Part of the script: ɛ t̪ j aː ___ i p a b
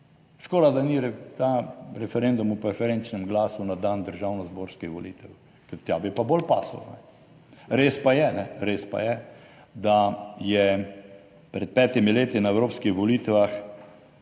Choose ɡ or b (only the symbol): b